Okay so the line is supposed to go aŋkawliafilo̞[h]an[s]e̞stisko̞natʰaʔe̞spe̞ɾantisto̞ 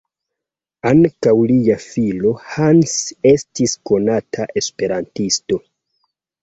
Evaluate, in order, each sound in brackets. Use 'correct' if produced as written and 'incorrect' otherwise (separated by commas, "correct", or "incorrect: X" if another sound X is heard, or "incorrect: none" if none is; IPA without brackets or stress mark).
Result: correct, correct